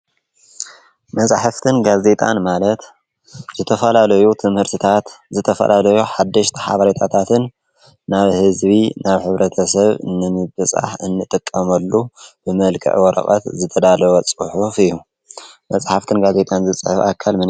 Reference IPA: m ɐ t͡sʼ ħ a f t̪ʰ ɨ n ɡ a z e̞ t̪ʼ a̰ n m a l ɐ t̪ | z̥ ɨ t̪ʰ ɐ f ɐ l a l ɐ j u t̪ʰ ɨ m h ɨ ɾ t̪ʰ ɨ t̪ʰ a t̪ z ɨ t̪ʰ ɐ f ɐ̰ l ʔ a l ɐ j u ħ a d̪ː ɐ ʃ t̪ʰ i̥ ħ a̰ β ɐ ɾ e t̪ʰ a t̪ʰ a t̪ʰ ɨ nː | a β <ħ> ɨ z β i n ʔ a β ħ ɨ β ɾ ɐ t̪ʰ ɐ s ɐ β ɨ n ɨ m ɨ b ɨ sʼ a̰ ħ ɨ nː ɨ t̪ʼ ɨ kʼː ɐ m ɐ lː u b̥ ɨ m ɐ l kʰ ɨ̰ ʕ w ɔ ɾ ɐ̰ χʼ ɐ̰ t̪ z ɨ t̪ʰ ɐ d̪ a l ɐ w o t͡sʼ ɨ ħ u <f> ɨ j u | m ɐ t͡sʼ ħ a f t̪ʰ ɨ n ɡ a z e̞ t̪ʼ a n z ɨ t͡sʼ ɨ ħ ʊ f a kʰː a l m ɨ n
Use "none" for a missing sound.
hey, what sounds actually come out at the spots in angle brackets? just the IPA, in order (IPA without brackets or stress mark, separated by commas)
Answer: h, f